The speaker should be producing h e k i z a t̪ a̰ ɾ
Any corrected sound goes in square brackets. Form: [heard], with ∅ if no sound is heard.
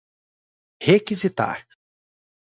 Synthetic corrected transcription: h e k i z [i] t̪ a̰ ɾ